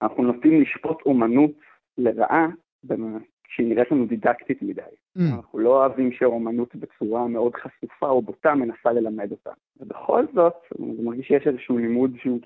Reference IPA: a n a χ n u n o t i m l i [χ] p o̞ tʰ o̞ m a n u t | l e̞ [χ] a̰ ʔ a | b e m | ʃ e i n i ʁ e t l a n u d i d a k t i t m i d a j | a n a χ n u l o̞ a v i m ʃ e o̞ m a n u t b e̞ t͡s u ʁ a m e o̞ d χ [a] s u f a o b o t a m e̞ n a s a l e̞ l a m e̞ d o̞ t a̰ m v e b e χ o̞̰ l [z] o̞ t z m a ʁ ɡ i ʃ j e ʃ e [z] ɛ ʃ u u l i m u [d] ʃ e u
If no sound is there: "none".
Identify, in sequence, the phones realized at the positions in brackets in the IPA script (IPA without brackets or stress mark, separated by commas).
ʃ, ʁ, a, z, z, d